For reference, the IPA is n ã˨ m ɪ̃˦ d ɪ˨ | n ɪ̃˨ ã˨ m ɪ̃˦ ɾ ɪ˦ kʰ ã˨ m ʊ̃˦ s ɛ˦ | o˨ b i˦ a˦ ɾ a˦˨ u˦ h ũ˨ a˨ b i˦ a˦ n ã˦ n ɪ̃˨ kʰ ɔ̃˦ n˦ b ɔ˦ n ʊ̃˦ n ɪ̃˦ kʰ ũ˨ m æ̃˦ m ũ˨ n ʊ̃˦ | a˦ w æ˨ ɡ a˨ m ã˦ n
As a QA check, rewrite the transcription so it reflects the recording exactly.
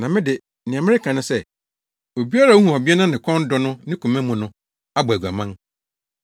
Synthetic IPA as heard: n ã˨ m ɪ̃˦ d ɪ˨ | n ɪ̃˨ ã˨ m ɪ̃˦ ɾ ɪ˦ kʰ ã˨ n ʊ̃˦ s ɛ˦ | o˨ b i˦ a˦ ɾ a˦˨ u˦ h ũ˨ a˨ b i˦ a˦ n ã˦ n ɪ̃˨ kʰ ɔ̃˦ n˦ d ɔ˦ n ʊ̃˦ n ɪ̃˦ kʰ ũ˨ m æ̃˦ m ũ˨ n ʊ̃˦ | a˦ b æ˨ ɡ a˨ m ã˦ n